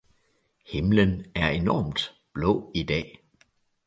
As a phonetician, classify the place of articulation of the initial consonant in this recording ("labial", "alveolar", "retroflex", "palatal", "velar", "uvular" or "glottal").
glottal